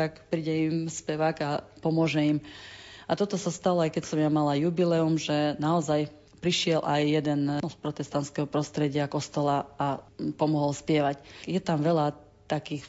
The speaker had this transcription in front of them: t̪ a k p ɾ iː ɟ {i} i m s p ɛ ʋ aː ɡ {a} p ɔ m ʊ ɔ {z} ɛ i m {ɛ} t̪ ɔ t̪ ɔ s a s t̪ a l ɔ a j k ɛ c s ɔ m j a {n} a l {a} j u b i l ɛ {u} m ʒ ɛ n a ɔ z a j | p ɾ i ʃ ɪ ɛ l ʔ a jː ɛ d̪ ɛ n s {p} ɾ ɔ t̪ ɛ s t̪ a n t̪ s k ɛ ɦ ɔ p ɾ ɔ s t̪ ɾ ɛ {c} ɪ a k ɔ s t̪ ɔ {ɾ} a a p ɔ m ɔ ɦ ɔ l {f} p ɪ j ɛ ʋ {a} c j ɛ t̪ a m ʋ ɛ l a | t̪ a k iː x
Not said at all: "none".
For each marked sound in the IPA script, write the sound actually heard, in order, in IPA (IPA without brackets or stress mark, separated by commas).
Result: ɛ, a, ʒ, a, m, a, u, p, ɟ, l, s, a